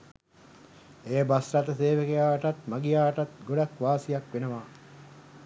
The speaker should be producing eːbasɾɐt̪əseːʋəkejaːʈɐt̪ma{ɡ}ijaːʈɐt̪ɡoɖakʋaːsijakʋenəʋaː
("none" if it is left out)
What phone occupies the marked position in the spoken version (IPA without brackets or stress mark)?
ɡ